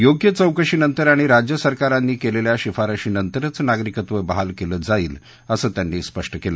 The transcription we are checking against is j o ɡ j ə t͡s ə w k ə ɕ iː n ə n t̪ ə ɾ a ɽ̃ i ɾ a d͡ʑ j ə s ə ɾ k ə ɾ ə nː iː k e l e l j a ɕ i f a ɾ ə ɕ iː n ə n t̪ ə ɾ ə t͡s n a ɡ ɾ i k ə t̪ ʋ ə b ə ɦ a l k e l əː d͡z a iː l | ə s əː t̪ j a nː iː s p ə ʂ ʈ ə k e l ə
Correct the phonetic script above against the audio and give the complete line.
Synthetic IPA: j o ɡ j ə t͡s ə w k ə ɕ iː n ə n t̪ ə ɾ a ɽ̃ i ɾ a d͡ʑ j ə s ə ɾ k a ɾ a nː iː k e l e l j a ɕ i f a ɾ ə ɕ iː n ə n t̪ ə ɾ ə t͡s n a ɡ ɾ i k ə t̪ ʋ ə b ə ɦ a l k e l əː d͡z a iː l | ə s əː t̪ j a nː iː s p ə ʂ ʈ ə k e l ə